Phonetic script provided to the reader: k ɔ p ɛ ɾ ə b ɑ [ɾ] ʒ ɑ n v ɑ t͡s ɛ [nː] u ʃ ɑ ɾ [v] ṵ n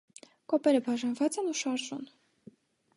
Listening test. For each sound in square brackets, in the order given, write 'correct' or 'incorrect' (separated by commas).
incorrect, incorrect, incorrect